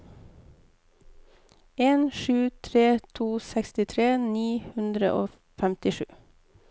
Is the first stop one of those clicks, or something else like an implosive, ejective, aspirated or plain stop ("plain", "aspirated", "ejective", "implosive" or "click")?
aspirated